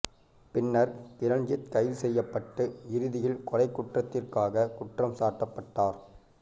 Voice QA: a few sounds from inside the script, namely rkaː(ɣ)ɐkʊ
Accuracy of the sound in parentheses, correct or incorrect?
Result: correct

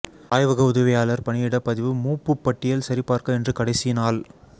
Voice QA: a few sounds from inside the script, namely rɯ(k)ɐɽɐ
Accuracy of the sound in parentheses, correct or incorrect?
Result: correct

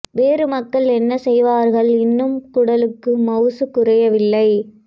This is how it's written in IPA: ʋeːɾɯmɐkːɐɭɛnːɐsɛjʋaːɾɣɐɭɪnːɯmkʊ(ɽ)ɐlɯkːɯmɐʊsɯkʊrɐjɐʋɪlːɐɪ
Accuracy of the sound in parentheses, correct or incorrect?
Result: correct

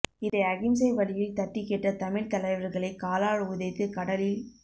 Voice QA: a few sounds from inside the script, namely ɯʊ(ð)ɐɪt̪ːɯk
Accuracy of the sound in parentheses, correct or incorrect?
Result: correct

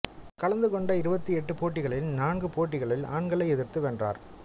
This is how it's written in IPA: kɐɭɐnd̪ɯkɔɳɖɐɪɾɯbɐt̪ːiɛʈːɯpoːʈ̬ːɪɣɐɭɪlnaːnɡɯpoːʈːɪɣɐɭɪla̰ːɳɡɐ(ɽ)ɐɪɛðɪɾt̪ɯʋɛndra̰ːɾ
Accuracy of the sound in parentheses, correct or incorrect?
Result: incorrect: ɭ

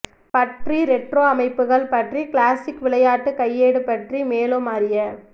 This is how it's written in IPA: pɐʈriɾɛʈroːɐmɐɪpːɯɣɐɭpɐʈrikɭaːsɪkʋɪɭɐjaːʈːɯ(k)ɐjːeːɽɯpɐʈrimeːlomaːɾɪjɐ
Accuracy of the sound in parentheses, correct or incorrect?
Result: correct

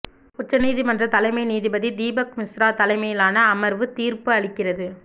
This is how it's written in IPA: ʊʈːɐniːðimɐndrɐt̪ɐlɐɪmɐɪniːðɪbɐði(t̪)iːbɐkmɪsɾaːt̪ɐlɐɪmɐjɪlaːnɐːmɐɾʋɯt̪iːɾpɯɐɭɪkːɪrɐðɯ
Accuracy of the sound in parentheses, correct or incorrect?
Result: incorrect: d̪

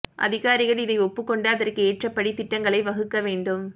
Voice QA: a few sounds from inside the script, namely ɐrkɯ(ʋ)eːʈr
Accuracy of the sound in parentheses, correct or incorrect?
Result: incorrect: none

